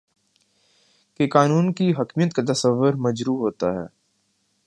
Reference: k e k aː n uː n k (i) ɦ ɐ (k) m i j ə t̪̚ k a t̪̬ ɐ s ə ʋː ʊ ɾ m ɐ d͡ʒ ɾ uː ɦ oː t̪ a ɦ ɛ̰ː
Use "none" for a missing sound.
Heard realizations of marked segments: i, k

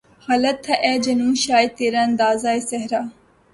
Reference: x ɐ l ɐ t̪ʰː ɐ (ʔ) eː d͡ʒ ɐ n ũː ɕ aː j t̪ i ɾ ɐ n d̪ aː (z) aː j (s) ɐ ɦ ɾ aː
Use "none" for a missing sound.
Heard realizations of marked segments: ʔ, z, s

